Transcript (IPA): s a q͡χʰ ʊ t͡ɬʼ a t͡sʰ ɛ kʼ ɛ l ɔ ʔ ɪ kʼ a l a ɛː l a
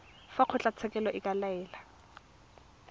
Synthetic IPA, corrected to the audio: f a q͡χʰ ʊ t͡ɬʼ a t͡sʰ ɛ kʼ ɛ l ɔ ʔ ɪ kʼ a l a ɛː l a